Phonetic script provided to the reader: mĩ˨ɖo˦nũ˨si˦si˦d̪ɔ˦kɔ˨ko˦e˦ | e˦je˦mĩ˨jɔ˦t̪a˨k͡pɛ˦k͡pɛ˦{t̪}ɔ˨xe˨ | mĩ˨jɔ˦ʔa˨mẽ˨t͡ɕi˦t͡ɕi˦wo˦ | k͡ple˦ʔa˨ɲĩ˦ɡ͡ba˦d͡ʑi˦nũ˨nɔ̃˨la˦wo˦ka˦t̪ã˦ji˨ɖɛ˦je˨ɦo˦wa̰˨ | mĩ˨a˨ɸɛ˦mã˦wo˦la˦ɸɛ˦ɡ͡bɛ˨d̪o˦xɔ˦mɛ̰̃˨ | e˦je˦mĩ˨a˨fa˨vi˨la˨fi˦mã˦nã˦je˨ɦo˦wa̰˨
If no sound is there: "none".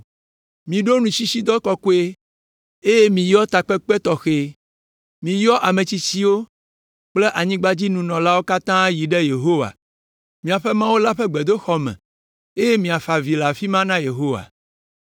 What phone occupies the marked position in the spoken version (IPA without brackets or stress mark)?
t̪